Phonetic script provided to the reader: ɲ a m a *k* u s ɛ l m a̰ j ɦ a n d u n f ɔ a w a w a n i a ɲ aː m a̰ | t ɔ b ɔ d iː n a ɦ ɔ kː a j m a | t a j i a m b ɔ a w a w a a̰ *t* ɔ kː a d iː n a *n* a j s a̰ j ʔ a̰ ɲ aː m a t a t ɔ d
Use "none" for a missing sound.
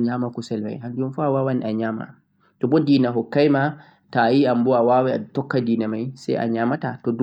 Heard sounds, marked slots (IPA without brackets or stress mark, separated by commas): k, t, m